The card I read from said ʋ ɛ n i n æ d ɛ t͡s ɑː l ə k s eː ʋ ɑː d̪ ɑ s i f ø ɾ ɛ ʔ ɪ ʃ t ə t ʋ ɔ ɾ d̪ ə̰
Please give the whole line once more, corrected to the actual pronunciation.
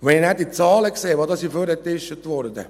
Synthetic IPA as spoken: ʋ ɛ n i n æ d i t͡s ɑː l ə k s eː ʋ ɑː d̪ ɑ s i f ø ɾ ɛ t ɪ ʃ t ə t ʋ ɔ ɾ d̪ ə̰